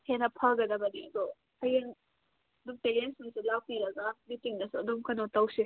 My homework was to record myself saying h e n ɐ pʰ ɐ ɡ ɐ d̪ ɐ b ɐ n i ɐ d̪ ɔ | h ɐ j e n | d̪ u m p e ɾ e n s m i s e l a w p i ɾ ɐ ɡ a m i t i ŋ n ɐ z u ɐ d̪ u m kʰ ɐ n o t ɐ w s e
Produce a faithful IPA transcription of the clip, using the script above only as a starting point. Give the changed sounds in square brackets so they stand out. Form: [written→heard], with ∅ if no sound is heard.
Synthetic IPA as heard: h e n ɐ pʰ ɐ ɡ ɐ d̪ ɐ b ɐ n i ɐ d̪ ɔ | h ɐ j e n | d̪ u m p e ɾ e n s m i s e l a w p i ɾ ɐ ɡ a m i t i ŋ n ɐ [z→s] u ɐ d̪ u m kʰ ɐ n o t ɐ w s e